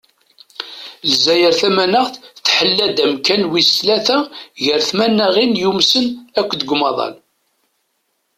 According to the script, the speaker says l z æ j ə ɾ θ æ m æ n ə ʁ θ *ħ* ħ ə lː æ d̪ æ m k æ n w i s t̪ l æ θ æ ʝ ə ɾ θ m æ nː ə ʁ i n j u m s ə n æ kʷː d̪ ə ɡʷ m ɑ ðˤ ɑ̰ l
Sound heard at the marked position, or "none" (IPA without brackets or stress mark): θ